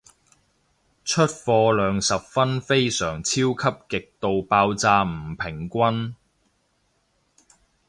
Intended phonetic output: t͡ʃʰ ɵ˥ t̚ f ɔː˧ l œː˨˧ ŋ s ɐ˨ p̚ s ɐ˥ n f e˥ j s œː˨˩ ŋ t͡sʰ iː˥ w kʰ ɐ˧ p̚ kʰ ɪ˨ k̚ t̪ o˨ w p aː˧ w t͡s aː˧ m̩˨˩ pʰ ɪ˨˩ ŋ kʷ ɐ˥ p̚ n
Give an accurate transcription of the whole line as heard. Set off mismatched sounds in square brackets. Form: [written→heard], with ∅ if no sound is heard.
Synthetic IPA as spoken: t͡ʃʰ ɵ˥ t̚ f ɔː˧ l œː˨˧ ŋ s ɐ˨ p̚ [s→f] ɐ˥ n f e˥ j s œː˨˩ ŋ t͡sʰ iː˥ w kʰ [ɐ˧→ɐ˥] p̚ [kʰ→k] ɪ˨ k̚ t̪ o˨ w p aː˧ w t͡s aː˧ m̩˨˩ pʰ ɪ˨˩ ŋ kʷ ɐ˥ [p̚→∅] n